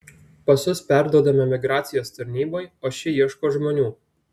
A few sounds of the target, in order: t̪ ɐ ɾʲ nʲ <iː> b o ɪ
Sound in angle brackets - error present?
no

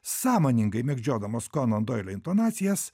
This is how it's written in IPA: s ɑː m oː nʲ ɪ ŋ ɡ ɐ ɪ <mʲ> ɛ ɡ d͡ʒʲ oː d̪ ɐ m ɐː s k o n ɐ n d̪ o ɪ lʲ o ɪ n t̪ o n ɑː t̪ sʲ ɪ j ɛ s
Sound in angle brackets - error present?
no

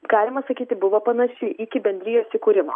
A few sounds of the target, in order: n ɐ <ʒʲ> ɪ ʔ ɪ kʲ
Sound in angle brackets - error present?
yes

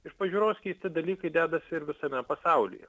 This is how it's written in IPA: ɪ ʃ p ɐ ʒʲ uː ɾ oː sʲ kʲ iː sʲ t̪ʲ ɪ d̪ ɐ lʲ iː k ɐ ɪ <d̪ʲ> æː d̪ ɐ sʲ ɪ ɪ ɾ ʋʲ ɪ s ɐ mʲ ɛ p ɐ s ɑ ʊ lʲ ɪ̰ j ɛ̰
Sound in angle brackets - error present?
no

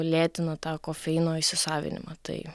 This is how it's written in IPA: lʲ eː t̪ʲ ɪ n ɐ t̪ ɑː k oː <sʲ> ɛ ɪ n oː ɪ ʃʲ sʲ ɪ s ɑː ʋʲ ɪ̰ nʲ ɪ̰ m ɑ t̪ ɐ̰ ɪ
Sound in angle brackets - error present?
yes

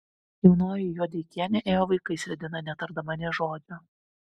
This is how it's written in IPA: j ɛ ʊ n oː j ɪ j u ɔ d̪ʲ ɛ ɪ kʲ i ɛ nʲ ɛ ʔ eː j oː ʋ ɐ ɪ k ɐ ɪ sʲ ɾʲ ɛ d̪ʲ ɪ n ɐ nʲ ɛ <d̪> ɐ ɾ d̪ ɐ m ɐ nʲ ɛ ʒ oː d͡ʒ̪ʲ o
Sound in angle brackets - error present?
yes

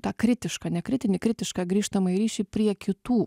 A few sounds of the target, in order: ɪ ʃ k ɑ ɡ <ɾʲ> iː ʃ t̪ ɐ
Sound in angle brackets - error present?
no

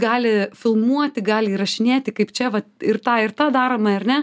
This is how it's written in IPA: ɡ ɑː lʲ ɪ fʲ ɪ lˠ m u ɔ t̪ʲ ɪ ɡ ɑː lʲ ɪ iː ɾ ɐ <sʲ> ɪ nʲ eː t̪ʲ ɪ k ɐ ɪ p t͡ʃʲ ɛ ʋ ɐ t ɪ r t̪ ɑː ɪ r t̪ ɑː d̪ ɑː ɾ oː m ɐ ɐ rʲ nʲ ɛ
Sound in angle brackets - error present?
yes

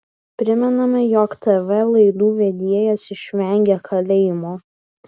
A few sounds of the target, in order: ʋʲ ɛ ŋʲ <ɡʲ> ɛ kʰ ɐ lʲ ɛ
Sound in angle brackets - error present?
no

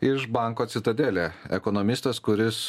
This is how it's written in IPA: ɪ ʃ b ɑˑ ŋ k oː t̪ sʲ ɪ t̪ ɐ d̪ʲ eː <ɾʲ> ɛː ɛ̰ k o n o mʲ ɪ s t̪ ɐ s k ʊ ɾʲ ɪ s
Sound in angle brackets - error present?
yes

